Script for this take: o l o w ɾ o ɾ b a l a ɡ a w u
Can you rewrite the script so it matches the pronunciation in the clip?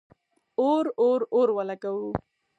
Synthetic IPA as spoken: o ɾ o ɾ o ɾ w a l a k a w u